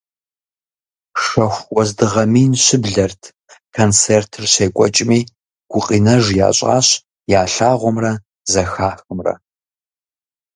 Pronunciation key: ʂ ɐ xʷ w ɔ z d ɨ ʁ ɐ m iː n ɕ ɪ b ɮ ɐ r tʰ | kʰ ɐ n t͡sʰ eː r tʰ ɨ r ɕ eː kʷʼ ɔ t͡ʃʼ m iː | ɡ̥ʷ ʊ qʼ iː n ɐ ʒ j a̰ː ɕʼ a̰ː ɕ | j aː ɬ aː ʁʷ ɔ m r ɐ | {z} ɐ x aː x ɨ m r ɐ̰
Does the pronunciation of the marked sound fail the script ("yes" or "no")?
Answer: no